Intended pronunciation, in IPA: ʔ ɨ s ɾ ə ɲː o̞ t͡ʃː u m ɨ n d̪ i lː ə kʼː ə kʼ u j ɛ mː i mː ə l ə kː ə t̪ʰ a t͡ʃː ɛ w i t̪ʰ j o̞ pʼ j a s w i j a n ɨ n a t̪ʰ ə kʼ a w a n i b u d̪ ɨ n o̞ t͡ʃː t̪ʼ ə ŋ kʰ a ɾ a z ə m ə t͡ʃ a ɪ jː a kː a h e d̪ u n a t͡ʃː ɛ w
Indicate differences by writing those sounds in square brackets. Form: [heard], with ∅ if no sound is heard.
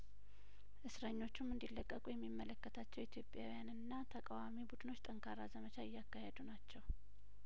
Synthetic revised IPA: ʔ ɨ s ɾ ə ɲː o̞ t͡ʃː u m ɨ n d̪ i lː ə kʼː ə kʼ u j ɛ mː i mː ə l ə kː ə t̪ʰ a t͡ʃː ɛ w i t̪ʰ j o̞ pʼ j a [∅] w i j a n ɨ [nː] a t̪ʰ ə kʼ a w a [m] i b u d̪ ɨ n o̞ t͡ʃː t̪ʼ ə ŋ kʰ a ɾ a z ə m ə t͡ʃ a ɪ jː a kː a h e d̪ u n a t͡ʃː ɛ w